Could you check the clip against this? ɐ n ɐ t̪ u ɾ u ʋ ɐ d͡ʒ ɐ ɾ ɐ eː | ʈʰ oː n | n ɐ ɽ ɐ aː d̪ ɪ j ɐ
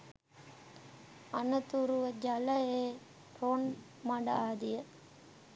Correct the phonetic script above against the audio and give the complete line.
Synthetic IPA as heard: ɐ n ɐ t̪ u ɾ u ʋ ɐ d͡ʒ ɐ l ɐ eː | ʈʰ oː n | m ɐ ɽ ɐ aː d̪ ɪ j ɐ